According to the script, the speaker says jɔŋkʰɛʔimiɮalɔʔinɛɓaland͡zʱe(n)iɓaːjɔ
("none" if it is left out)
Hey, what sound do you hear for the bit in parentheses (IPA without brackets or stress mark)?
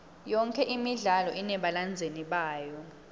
n